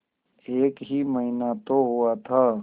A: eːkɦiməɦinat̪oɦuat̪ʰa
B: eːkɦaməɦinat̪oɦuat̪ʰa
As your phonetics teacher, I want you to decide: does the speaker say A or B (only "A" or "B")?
A